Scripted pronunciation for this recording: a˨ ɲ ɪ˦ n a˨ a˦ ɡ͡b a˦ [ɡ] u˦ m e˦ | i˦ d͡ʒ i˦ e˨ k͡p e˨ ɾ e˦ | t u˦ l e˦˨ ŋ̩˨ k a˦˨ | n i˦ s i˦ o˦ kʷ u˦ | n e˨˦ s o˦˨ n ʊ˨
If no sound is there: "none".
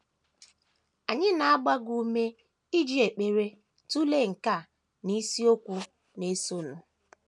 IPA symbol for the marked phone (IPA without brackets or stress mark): ɡ